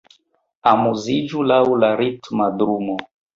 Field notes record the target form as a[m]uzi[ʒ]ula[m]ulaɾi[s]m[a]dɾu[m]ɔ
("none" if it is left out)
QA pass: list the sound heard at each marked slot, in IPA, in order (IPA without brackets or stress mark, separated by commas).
m, d͡ʒ, none, t, a, m